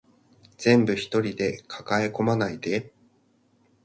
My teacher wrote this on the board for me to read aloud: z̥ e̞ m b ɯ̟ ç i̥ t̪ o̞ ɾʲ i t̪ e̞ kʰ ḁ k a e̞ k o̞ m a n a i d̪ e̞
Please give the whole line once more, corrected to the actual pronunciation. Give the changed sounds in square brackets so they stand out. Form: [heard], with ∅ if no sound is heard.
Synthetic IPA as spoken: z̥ [ẽ̞] m b ɯ̟ ç i̥ t̪ o̞ ɾʲ i [d̪] e̞ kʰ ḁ k a e̞ k o̞ m a n a i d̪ e̞